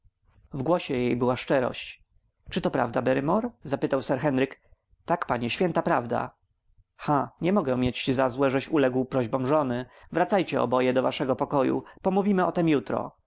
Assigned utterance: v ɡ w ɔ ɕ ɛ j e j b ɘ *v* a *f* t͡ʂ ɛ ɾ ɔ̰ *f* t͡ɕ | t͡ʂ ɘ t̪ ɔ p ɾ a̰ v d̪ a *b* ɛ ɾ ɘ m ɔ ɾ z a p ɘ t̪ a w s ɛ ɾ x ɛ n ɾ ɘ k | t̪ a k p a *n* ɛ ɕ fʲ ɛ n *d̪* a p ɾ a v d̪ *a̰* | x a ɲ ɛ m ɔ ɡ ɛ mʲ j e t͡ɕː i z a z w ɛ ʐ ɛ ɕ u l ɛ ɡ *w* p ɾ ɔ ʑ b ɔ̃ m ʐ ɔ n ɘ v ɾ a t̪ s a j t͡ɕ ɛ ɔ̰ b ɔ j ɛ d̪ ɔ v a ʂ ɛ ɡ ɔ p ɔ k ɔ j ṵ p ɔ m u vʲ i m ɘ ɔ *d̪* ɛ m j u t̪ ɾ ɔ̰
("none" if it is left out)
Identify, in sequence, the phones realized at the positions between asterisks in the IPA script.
w, ʂ, ɕ, b, ɲ, t̪, a̰, w, t̪

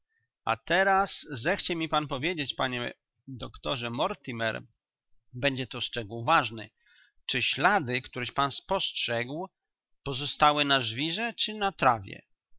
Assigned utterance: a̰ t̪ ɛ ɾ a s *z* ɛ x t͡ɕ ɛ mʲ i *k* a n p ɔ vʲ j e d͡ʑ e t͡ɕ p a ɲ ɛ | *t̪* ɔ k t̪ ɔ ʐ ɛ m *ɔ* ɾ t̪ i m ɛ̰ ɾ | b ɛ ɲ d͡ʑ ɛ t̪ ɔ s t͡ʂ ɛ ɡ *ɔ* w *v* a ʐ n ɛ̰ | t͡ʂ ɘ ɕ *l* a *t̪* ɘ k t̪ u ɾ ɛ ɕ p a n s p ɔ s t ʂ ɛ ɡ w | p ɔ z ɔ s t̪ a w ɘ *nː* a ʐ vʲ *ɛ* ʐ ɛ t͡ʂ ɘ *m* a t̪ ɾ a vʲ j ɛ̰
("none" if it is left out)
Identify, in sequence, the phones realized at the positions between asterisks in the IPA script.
z, p, d̪, ɔ, u, v, l, d̪, n, i, n

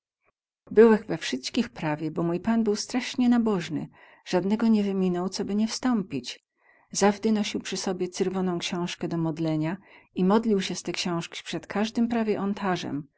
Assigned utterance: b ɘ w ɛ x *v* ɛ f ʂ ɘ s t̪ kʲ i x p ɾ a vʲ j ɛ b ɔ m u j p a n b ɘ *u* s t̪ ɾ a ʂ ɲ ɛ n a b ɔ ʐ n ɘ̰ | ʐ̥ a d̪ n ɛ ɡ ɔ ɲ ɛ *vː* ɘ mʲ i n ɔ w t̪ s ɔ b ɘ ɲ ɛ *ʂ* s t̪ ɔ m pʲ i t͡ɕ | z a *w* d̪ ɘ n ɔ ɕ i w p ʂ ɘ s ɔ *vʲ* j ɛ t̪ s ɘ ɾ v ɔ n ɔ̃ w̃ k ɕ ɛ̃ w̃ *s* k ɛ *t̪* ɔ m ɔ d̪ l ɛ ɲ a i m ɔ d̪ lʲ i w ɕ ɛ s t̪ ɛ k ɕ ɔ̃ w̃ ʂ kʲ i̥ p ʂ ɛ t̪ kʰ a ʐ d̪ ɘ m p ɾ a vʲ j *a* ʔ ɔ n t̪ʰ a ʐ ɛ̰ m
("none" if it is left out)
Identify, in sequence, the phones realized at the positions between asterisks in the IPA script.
v, w, v, f, v, bʲ, ʂ, d̪, ɛ

